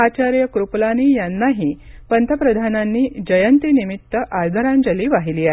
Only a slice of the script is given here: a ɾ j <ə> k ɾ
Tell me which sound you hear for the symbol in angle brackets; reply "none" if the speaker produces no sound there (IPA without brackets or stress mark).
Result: ə